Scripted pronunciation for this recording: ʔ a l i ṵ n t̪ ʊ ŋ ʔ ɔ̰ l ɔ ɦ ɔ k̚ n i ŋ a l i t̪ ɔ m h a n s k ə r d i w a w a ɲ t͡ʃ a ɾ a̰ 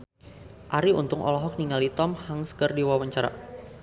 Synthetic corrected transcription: ʔ a ɾ i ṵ n t̪ ʊ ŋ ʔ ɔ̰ l ɔ ɦ ɔ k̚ n i ŋ a l i t̪ ɔ m h a ŋ s k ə r d i w a w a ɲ t͡ʃ a ɾ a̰

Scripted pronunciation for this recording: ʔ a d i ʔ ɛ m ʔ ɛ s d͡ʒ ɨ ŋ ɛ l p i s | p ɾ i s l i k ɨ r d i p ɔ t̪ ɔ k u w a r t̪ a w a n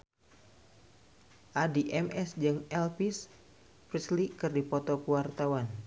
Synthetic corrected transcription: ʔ a d i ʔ ɛ m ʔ ɛ s d͡ʒ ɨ ŋ ɛ l p i s | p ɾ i s l i k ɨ r d i p ɔ t̪ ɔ k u w a r t̪ a w a n

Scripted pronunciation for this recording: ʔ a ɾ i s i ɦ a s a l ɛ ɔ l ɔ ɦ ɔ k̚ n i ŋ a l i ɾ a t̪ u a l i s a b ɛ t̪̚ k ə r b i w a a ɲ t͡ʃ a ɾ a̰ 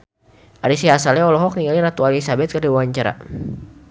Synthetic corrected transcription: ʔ a ɾ i s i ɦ a s a l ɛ ɔ l ɔ ɦ ɔ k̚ n i ŋ a l i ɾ a t̪ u a l i s a b ɛ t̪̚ k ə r d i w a a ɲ t͡ʃ a ɾ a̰

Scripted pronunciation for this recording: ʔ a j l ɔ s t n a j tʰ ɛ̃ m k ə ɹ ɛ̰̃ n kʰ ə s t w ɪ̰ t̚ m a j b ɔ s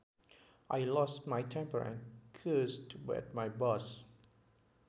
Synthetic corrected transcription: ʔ a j l ɔ s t m a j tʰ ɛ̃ m p ə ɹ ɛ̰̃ n kʰ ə s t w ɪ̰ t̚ m a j b ɔ s

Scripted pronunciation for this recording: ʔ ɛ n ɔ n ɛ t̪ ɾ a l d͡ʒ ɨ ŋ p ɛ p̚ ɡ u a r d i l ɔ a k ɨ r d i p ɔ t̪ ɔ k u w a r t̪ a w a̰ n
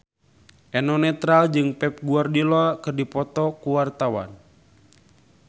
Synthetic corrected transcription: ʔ ɛ n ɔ n ɛ t̪ ɾ a l d͡ʒ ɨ ŋ p ɛ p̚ ɡ u a r d i l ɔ a k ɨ r d i p ɔ t̪ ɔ k u w a r t̪ a w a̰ n

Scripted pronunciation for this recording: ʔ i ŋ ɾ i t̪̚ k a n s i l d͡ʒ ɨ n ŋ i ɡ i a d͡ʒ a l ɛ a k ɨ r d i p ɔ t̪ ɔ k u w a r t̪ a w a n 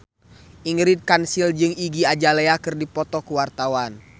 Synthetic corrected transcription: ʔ i ŋ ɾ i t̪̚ k a n s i l d͡ʒ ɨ ŋ i ɡ i a d͡ʒ a l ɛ a k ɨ r d i p ɔ t̪ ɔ k u w a r t̪ a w a n

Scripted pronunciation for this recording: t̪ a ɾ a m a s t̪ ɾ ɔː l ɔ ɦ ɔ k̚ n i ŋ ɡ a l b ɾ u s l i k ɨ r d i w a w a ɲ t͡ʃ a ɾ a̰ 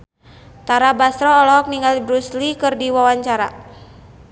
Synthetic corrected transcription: t̪ a ɾ a b a s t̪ ɾ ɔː l ɔ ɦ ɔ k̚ n i ŋ ɡ a l b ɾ u s l i k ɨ r d i w a w a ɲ t͡ʃ a ɾ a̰

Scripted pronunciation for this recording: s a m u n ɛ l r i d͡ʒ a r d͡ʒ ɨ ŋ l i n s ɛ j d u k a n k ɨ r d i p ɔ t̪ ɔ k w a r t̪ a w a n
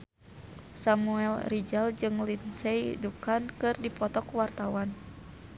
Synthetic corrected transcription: s a m u ɛ l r i d͡ʒ a l d͡ʒ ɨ ŋ l i n s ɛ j d u k a n k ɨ r d i p ɔ t̪ ɔ k w a r t̪ a w a n

